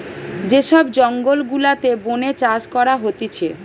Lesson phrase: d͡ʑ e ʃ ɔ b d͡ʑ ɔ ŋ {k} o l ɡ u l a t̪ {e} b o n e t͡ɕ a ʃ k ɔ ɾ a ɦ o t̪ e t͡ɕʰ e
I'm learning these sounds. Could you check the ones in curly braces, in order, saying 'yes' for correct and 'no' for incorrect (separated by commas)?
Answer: no, yes